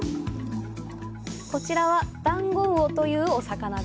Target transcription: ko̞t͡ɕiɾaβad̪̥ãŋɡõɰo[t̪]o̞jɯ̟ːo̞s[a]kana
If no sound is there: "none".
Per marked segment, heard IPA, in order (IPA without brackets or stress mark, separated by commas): t̪, a